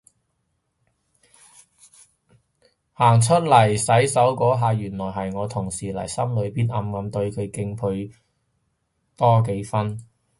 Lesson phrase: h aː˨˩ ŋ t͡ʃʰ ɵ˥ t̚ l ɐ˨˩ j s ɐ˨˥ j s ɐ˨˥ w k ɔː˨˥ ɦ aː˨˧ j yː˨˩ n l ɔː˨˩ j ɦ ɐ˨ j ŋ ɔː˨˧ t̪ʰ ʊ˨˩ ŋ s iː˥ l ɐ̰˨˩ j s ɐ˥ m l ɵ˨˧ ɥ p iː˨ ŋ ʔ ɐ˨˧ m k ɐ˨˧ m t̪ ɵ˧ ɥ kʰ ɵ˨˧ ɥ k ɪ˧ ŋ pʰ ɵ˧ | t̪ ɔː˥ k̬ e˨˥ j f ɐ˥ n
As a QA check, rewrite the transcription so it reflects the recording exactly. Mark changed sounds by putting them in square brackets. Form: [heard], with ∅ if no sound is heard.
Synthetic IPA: h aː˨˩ ŋ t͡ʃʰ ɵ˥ t̚ l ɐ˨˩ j s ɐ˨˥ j s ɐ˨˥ w k ɔː˨˥ ɦ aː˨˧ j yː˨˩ n l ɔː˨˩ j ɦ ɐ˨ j ŋ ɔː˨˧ t̪ʰ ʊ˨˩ ŋ s [iː˨˩] l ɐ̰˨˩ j s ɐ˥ m l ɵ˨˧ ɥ p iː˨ [n] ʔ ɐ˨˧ m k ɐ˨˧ m t̪ ɵ˧ ɥ kʰ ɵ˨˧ ɥ k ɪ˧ ŋ pʰ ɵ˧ | t̪ ɔː˥ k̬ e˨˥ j f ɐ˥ n

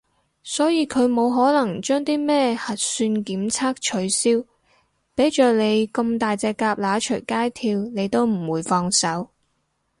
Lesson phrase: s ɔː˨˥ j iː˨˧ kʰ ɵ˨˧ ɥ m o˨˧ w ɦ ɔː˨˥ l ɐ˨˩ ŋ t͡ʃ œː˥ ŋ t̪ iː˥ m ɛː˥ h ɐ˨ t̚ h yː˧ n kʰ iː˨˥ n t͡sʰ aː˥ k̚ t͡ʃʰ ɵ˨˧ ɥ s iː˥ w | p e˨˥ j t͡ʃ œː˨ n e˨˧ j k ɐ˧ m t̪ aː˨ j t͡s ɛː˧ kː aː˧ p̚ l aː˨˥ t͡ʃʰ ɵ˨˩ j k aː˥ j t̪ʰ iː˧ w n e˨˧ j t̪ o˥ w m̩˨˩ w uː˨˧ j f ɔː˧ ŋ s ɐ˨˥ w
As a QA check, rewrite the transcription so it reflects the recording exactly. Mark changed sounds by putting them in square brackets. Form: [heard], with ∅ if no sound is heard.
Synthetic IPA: s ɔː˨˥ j iː˨˧ kʰ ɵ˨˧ ɥ m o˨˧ w ɦ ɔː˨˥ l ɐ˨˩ ŋ t͡ʃ œː˥ ŋ t̪ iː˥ m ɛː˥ h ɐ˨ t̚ [s] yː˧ n [k] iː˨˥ [m] t͡sʰ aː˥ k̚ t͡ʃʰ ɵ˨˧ ɥ s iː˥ w | p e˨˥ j t͡ʃ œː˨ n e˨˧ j k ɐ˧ m t̪ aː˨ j t͡s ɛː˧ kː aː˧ p̚ l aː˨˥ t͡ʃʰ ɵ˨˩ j k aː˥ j t̪ʰ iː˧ w n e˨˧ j t̪ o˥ w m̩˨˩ w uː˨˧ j f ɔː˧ ŋ s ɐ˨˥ w

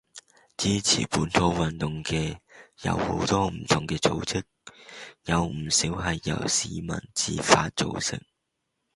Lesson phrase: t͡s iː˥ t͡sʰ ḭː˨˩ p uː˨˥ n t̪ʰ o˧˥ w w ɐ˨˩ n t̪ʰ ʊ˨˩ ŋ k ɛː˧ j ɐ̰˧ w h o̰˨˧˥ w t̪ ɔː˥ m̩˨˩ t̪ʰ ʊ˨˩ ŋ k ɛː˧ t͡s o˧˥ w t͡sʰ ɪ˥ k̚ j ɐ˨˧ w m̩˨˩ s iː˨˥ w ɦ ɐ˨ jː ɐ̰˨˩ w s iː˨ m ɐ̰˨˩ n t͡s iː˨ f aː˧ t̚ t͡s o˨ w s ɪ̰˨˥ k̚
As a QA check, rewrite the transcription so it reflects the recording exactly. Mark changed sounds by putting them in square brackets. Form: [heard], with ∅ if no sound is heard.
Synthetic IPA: t͡s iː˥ t͡sʰ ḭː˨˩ p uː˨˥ n t̪ʰ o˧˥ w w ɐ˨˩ n [t̪] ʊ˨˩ ŋ k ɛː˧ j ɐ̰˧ w h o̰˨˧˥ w t̪ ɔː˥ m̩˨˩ t̪ʰ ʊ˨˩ ŋ k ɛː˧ t͡s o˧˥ w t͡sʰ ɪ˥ k̚ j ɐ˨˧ w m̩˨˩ s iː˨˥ w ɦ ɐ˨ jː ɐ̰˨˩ w s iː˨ m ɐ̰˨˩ n t͡s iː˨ f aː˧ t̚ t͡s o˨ w s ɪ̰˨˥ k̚

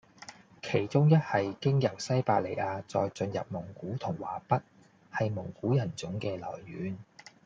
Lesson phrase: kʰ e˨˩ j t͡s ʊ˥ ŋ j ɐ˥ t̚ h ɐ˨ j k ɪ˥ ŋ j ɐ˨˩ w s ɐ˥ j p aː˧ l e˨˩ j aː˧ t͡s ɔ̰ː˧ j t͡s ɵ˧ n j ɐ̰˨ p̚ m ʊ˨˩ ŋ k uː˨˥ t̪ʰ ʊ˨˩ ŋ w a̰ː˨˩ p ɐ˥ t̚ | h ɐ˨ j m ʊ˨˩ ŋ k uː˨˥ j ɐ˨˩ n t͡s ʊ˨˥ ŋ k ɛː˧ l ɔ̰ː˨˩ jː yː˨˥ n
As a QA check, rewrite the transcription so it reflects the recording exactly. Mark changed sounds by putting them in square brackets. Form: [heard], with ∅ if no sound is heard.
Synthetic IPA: kʰ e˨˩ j t͡s ʊ˥ ŋ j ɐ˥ t̚ h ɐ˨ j k ɪ˥ ŋ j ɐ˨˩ w s ɐ˥ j p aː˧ l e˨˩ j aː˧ t͡s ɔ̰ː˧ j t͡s ɵ˧ n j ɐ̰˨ p̚ m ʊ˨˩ ŋ k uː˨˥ t̪ʰ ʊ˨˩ ŋ w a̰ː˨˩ p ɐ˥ t̚ | h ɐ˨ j m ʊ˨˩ ŋ k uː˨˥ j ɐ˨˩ n t͡s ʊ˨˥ ŋ k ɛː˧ l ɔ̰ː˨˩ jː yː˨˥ n

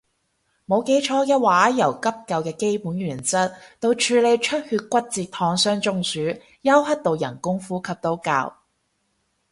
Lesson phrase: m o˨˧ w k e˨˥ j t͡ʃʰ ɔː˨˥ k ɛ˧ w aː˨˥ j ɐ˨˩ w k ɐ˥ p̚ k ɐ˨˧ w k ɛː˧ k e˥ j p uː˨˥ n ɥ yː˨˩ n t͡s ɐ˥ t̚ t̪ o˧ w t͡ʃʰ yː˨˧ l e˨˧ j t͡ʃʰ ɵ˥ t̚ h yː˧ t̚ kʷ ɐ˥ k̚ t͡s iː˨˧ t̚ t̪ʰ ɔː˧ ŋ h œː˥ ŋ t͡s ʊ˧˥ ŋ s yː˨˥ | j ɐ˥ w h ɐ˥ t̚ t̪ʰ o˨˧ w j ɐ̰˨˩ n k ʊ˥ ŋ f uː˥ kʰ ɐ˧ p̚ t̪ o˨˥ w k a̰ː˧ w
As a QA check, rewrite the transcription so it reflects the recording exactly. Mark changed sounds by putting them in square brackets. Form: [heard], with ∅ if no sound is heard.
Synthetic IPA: m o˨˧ w k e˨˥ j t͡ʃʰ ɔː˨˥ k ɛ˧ w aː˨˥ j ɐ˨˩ w k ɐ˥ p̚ k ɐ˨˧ w k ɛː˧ k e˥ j p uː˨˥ n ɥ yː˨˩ n t͡s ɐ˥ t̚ t̪ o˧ w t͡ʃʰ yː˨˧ l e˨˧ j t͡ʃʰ ɵ˥ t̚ h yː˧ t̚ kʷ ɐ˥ [t̚] t͡s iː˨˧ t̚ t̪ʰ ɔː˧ ŋ [s] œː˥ ŋ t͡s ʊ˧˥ ŋ s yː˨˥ | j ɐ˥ w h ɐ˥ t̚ [t̪] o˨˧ w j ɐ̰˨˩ n k ʊ˥ ŋ f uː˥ kʰ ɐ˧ p̚ t̪ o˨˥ w k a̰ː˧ w

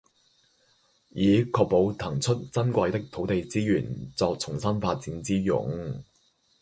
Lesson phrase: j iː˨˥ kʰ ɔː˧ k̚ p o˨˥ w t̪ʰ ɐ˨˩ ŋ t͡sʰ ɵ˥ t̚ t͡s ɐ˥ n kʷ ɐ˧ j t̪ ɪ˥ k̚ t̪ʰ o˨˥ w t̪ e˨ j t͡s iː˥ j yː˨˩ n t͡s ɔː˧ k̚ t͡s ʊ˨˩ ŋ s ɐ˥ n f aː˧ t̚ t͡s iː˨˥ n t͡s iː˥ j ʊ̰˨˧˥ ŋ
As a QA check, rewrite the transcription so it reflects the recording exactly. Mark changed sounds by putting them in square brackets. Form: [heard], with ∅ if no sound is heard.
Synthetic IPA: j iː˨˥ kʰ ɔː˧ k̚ p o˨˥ w t̪ʰ ɐ˨˩ ŋ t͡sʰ ɵ˥ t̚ t͡s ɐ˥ n kʷ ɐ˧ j t̪ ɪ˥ k̚ t̪ʰ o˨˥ w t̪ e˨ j t͡s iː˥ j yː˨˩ n t͡s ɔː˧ k̚ [t͡sʰ] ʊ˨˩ ŋ s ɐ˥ n f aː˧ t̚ t͡s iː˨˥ n t͡s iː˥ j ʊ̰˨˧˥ ŋ

